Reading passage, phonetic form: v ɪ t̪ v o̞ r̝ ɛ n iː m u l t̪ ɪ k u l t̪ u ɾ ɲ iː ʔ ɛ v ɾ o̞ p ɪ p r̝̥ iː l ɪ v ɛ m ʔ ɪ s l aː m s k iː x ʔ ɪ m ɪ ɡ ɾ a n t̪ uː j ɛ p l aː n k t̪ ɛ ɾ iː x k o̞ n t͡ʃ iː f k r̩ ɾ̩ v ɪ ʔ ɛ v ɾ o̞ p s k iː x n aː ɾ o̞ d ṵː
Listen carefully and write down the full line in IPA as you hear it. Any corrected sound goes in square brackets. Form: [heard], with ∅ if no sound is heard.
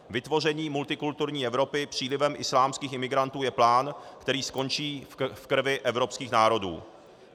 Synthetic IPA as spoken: v ɪ t̪ v o̞ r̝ ɛ [ɲ] iː m u l t̪ ɪ k u l t̪ u ɾ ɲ iː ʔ ɛ v ɾ o̞ p ɪ p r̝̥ iː l ɪ v ɛ m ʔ ɪ s l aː m s k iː x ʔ ɪ m ɪ ɡ ɾ a n t̪ uː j ɛ p l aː n k t̪ ɛ ɾ iː [s] k o̞ n t͡ʃ iː f k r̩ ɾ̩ v ɪ ʔ ɛ v ɾ o̞ p s k iː x n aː ɾ o̞ d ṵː

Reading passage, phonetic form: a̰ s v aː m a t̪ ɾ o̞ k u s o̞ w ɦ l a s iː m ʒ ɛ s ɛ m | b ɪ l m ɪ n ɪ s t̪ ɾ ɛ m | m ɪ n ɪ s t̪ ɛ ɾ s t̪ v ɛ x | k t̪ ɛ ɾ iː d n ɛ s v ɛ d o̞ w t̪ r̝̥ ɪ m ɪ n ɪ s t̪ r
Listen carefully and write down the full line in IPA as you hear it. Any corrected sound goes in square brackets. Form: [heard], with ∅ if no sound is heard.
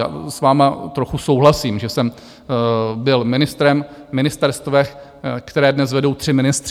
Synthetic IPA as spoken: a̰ s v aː m a t̪ ɾ o̞ [x] u s o̞ w ɦ l a s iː m ʒ ɛ s ɛ m | b ɪ l m ɪ n ɪ s t̪ ɾ ɛ m | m ɪ n ɪ s t̪ ɛ ɾ s t̪ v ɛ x | k t̪ ɛ ɾ [ɛː] d n ɛ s v ɛ d o̞ w t̪ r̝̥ ɪ m ɪ n ɪ s t̪ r

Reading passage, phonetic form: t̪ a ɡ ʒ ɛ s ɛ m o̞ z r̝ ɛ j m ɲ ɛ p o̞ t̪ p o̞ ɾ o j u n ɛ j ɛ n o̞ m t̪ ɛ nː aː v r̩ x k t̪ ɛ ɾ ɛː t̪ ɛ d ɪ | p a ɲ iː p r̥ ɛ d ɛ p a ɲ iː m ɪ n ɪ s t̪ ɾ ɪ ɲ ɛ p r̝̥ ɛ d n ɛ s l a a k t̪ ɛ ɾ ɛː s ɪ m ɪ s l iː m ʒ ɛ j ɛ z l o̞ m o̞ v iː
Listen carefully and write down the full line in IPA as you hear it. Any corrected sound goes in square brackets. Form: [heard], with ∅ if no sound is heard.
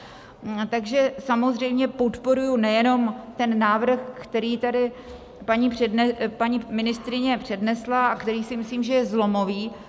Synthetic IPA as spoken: t̪ a ɡ ʒ ɛ s [a] m o̞ z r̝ ɛ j m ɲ ɛ p o̞ t̪ p o̞ ɾ [u] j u n ɛ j ɛ n o̞ m t̪ ɛ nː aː v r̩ x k t̪ ɛ ɾ [iː] t̪ [a] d ɪ | p a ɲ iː p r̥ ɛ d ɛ p a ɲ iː m ɪ n ɪ s t̪ ɾ ɪ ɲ ɛ p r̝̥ ɛ d n ɛ s l a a k t̪ ɛ ɾ [iː] s ɪ m ɪ s l iː m ʒ ɛ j ɛ z l o̞ m o̞ v iː

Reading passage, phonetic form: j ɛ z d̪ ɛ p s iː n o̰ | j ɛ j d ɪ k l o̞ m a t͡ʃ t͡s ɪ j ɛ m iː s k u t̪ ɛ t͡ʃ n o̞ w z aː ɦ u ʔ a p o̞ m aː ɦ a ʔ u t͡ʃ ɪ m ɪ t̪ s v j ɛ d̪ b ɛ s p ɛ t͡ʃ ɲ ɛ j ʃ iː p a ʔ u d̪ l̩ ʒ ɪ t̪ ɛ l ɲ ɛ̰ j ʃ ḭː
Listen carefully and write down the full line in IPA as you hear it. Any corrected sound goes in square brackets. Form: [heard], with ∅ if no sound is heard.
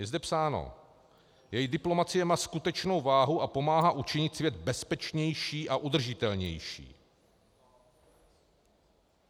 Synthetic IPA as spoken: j ɛ z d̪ ɛ p s [aː] n o̰ | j ɛ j d ɪ [p] l o̞ m a [∅] t͡s ɪ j ɛ m [aː] s k u t̪ ɛ t͡ʃ n o̞ w [v] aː ɦ u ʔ a p o̞ m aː ɦ a ʔ u t͡ʃ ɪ [ɲ] ɪ t̪ s v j ɛ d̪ b ɛ s p ɛ t͡ʃ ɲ ɛ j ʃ iː [ʔ] a ʔ u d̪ [r̩] ʒ ɪ t̪ ɛ l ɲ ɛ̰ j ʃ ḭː

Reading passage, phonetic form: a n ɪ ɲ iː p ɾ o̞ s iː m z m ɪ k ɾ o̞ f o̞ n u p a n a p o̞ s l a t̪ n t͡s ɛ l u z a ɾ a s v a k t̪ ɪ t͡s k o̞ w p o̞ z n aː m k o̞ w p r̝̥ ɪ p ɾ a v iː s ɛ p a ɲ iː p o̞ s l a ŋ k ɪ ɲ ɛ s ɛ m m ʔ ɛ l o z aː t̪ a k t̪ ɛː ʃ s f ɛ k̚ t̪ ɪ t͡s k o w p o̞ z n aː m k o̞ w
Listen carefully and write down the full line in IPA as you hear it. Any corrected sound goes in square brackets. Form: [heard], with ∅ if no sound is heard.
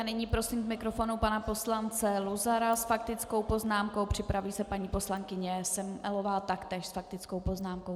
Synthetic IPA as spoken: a n ɪ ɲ iː p ɾ o̞ s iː m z m ɪ k ɾ o̞ f o̞ n u p a n a p o̞ s l a [∅] n t͡s ɛ l u z a ɾ a s [f] a k t̪ ɪ t͡s k o̞ w p o̞ z n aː m k o̞ w p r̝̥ ɪ p ɾ a v iː s ɛ p a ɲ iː p o̞ s l a ŋ k ɪ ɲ ɛ s ɛ m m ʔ ɛ l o [v] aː t̪ a k t̪ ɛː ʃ s f [a] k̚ t̪ ɪ t͡s k o w p o̞ z n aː m k o̞ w

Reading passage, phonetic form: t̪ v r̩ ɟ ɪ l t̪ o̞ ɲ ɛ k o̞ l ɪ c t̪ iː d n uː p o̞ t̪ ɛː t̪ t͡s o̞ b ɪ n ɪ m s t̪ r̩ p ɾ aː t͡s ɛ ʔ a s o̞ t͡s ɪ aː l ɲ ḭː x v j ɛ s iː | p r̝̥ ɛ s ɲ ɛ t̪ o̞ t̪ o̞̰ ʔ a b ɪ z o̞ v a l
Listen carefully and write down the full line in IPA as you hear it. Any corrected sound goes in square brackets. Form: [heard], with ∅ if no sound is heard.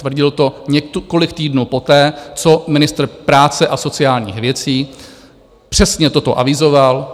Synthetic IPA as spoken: t̪ v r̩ ɟ ɪ l t̪ o̞ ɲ ɛ k o̞ l ɪ [k] t̪ iː d n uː p o̞ t̪ ɛː [∅] t͡s o̞ [m] ɪ n ɪ [∅] s t̪ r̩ p ɾ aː t͡s ɛ ʔ a s o̞ t͡s ɪ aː l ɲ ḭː x v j ɛ [t͡s] iː | p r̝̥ ɛ s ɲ ɛ t̪ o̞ t̪ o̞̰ ʔ a [v] ɪ z o̞ v a l

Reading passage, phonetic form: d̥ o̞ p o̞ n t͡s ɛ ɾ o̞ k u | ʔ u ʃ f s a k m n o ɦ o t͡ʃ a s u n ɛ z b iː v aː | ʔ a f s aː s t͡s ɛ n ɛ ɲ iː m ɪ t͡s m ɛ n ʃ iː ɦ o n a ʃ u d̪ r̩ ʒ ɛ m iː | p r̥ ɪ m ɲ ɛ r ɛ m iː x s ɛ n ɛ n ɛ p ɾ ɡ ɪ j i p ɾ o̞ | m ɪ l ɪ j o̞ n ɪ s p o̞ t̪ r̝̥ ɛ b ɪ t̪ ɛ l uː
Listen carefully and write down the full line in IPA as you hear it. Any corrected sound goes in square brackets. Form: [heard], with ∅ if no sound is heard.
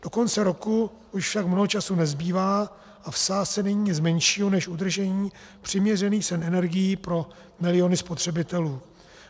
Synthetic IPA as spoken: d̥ o̞ [k] o̞ n t͡s ɛ ɾ o̞ k u | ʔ u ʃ f [ʃ] a k m n o ɦ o t͡ʃ a s u n ɛ z b iː v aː | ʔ a f s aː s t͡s ɛ n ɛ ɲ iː [ɲ] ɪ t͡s m ɛ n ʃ iː ɦ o n [ɛ] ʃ u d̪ r̩ ʒ ɛ [ɲ] iː | p r̥ ɪ m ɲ ɛ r ɛ [n] iː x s ɛ n ɛ n ɛ [∅] ɾ ɡ ɪ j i p ɾ o̞ | m ɪ l ɪ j o̞ n ɪ s p o̞ t̪ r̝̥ ɛ b ɪ t̪ ɛ l uː

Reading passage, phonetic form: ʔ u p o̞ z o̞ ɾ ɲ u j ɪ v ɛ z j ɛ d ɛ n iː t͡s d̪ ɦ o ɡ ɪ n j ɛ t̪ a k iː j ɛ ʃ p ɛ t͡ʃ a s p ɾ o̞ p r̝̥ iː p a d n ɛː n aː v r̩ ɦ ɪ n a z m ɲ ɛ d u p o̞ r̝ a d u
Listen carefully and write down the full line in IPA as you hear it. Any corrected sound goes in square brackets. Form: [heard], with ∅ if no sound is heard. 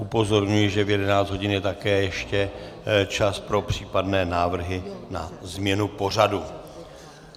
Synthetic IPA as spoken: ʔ u p o̞ z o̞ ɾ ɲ u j ɪ [ʒ] ɛ [v] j ɛ d ɛ n [aː] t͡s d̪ ɦ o [ɟ] ɪ n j ɛ t̪ a k [ɛː] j ɛ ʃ [c] ɛ t͡ʃ a s p ɾ o̞ p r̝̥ iː p a d n ɛː n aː v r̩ ɦ ɪ n a z m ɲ ɛ [n] u p o̞ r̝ a d u

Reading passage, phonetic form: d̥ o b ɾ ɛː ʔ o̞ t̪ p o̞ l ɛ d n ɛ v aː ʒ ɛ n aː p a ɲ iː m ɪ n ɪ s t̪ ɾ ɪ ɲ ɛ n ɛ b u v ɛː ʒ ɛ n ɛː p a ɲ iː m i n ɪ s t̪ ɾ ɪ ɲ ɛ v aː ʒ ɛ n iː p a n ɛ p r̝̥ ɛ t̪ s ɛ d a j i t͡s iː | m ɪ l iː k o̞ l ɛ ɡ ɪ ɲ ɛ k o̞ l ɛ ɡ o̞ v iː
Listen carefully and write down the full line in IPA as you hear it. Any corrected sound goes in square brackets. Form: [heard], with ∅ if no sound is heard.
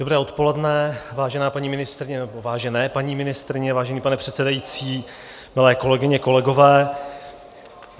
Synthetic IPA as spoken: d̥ o b ɾ ɛː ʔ o̞ t̪ p o̞ l ɛ d n ɛ v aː ʒ ɛ n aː p a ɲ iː m ɪ n ɪ s t̪ ɾ ɪ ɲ ɛ n ɛ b [o] v [aː] ʒ ɛ n ɛː p a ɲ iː m [ɪ] n ɪ s t̪ ɾ ɪ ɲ ɛ v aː ʒ ɛ n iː p a n ɛ p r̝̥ ɛ t̪ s ɛ d a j i t͡s iː | m ɪ l [ɛː] k o̞ l ɛ ɡ ɪ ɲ ɛ k o̞ l ɛ ɡ o̞ v [ɛː]

